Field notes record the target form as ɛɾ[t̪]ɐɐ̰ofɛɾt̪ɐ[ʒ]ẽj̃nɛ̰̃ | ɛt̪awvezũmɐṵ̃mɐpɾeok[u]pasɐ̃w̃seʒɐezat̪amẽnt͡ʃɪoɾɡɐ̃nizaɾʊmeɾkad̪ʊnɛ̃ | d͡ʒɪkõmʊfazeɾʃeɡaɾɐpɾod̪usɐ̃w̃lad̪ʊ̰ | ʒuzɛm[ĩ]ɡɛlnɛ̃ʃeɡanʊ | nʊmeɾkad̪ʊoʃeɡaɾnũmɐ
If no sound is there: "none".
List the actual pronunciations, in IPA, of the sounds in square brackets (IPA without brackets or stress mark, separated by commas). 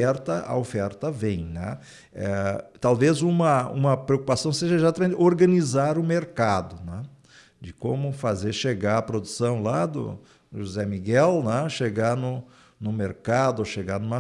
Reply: t̪, v, u, i